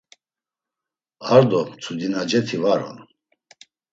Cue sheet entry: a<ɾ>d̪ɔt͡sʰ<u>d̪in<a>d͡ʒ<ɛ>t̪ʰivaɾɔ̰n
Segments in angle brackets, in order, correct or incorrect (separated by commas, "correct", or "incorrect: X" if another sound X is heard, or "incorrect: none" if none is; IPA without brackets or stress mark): correct, correct, correct, correct